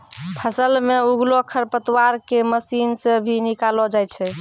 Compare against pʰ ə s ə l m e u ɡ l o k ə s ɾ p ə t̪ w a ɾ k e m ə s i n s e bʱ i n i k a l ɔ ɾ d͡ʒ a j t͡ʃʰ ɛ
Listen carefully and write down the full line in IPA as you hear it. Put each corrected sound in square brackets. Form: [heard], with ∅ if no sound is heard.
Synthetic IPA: pʰ ə s ə l m e u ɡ l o [kʰ] ə [∅] ɾ p ə t̪ w a ɾ k e m ə s i n s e bʱ i n i k a l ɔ [∅] d͡ʒ a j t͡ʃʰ ɛ